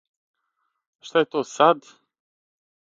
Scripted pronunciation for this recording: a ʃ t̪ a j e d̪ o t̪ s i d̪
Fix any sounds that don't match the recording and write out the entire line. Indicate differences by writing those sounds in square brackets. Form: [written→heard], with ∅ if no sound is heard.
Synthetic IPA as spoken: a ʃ t̪ a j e [d̪→t̪] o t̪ s [i→a] d̪